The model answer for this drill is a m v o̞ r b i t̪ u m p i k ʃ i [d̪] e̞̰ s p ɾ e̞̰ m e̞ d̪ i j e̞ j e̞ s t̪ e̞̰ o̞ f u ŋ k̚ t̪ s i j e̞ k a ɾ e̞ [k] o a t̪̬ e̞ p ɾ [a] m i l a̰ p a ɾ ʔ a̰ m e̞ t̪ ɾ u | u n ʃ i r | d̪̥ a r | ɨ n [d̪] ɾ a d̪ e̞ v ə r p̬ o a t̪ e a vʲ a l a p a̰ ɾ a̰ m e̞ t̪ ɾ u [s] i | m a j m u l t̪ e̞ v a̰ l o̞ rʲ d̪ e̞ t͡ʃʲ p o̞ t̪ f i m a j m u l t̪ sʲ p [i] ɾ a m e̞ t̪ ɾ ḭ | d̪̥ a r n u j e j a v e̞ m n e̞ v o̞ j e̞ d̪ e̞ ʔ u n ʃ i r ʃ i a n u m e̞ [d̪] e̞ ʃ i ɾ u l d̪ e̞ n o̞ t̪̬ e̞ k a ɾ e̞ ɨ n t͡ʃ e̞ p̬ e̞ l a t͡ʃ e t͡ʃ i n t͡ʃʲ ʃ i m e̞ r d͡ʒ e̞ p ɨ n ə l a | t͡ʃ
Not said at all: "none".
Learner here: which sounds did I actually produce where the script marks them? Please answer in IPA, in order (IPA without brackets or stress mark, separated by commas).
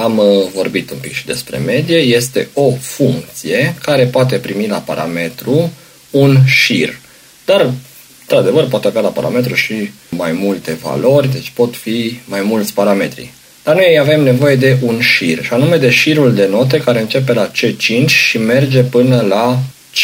d̪, p, i, t̪, ʃ, a, d̪